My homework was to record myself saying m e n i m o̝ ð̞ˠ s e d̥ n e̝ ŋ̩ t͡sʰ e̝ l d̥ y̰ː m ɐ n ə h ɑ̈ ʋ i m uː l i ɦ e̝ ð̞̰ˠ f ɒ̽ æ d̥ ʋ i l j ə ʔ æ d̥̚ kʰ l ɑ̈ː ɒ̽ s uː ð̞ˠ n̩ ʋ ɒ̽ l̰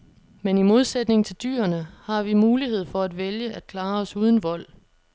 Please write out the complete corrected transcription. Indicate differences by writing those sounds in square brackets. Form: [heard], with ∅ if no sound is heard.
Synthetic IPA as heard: m e n i m o̝ ð̞ˠ s e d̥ n e̝ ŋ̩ t͡sʰ e̝ l d̥ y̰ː [∅] ɐ n ə h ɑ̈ ʋ i m uː l i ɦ e̝ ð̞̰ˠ f ɒ̽ æ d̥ ʋ [e] l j ə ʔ æ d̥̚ kʰ l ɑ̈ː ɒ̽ s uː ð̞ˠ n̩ ʋ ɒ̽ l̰